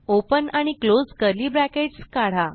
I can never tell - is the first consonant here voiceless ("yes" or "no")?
yes